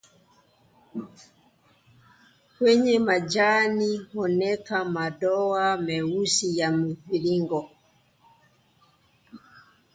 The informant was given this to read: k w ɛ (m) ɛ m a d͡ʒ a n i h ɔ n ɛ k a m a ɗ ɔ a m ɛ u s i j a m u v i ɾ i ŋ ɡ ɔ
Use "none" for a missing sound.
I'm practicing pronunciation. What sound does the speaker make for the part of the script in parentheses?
ɲ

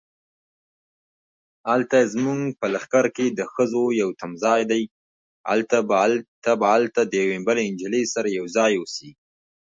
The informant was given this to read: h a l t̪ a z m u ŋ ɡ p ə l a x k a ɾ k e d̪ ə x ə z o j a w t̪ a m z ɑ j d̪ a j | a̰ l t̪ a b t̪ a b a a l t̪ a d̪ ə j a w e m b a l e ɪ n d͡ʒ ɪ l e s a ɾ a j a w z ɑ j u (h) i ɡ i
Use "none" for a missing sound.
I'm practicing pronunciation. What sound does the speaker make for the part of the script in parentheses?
s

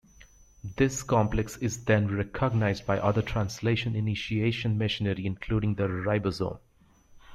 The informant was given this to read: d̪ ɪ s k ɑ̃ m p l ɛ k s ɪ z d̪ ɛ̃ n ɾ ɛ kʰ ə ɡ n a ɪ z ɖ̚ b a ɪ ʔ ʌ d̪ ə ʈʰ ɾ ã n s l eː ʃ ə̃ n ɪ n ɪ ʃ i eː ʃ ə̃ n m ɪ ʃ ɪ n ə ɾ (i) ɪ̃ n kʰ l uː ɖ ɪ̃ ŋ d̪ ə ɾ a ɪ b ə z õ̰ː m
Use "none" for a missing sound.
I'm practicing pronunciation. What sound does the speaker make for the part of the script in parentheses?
i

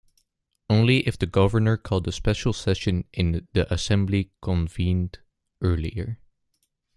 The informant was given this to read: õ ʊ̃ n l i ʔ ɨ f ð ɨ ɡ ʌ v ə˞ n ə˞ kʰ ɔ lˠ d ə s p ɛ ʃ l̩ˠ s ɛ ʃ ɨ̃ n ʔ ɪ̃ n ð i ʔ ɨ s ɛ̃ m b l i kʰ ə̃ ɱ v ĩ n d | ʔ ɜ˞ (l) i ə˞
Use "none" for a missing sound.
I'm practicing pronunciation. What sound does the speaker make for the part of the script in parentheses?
l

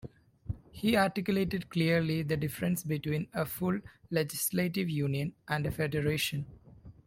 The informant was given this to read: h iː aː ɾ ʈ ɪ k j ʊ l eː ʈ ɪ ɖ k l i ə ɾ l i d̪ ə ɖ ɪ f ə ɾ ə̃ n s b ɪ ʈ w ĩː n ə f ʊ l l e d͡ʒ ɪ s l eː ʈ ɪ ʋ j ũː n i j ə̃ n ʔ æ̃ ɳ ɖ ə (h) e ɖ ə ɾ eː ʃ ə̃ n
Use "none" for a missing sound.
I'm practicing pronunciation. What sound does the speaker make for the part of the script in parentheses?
f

